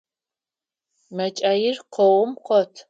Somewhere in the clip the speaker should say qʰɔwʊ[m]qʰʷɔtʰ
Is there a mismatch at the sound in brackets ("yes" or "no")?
no